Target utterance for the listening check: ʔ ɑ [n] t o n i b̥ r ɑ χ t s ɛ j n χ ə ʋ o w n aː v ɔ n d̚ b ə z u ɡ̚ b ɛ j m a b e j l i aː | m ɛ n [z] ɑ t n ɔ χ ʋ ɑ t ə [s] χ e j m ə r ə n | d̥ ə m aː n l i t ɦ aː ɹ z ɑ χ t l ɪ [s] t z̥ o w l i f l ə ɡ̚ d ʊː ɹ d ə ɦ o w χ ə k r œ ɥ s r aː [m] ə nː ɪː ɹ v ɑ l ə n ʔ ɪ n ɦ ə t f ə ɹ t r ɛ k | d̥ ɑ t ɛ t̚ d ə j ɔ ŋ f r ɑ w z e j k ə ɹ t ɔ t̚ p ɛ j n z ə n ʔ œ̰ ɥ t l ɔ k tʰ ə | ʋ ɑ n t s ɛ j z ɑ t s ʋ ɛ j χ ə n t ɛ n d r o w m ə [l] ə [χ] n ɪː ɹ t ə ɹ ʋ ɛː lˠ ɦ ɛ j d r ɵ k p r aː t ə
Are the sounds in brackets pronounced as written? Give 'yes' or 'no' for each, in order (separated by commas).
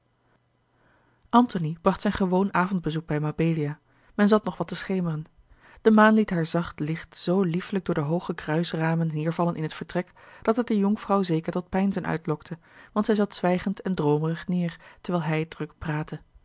yes, yes, yes, no, yes, no, yes